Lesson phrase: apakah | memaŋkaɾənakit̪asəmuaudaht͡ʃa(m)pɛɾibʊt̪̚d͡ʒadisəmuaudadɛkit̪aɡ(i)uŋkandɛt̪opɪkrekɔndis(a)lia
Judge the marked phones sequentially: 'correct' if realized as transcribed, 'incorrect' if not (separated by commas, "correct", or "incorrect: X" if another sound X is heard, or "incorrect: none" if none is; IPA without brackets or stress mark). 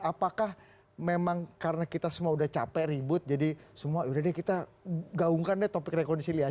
incorrect: none, incorrect: a, incorrect: i